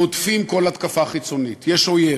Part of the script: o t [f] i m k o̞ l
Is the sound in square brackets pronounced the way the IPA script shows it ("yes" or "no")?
yes